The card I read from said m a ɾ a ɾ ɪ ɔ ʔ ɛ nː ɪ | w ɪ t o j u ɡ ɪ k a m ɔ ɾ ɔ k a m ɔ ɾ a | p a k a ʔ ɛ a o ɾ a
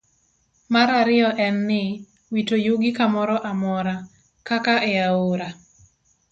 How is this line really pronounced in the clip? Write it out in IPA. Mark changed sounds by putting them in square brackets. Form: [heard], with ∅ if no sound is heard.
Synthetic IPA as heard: m a ɾ a ɾ ɪ ɔ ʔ ɛ nː ɪ | w [i] t o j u ɡ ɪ k a m ɔ ɾ ɔ [ʔ] a m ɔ ɾ a | [k] a k a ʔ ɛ a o ɾ a